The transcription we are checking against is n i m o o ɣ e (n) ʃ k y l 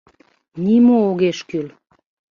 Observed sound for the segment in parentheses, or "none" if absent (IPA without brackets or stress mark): none